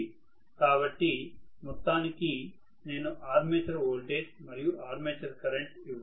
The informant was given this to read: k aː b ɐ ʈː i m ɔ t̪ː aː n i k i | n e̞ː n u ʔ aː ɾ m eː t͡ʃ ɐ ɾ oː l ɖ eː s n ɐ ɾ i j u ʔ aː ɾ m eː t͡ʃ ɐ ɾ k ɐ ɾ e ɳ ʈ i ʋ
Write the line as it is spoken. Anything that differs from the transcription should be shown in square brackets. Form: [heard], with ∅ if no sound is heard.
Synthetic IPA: k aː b ɐ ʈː i m ɔ t̪ː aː n i k i | n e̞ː n u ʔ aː ɾ m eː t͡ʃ ɐ ɾ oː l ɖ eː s [m] ɐ ɾ i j u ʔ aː ɾ m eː t͡ʃ ɐ ɾ k ɐ ɾ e ɳ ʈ i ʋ